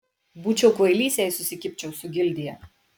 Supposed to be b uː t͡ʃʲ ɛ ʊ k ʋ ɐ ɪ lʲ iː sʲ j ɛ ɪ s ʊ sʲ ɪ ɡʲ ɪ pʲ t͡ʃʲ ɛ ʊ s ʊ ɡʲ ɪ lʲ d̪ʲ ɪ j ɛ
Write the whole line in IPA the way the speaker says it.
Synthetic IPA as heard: b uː t͡ʃʲ ɛ ʊ k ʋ ɐ ɪ lʲ iː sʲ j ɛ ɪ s ʊ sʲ ɪ kʲ ɪ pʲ t͡ʃʲ ɛ ʊ s ʊ ɡʲ ɪ lʲ d̪ʲ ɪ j ɛ